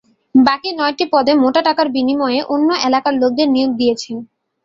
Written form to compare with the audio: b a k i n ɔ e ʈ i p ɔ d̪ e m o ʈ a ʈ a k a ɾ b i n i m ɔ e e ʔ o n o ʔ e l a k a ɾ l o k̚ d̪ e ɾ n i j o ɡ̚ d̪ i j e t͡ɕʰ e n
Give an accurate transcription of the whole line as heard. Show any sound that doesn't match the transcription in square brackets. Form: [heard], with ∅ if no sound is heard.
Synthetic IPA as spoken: b a k i n ɔ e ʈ i p ɔ d̪ e m o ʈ a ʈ a k a ɾ b i n i m ɔ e e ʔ o [nː] o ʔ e l a k a ɾ l o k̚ d̪ e ɾ n i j o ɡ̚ d̪ i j e t͡ɕʰ e n